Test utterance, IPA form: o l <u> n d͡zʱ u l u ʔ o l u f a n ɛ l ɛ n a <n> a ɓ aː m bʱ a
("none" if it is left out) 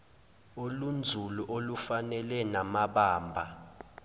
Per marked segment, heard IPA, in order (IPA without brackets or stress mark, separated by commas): u, m